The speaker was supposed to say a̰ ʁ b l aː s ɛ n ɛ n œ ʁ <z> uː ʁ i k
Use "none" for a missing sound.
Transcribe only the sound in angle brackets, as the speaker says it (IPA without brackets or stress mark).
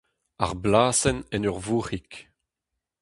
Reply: v